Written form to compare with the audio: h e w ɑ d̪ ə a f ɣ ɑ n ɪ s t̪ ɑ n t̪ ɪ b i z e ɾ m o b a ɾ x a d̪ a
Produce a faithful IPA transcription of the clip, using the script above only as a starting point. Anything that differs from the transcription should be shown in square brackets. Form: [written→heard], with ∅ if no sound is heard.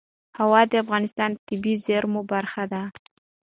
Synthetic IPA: h [e→a] w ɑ d̪ ə a f ɣ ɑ n ɪ s t̪ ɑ n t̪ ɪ b i z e ɾ m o b a ɾ x a d̪ a